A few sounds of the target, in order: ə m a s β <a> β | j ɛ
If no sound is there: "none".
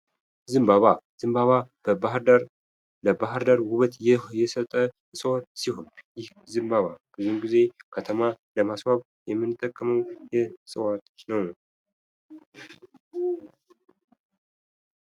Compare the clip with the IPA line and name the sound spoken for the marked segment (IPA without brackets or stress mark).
a